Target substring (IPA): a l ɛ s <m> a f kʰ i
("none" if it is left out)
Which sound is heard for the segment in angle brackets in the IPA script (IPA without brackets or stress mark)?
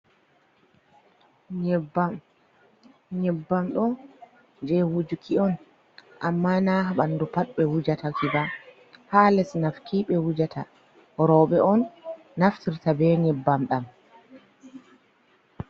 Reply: n